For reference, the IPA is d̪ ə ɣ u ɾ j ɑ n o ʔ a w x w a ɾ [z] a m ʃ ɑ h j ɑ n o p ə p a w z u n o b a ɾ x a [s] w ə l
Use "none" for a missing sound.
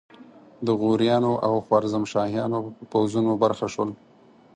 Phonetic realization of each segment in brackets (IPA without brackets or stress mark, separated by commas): z, ʃ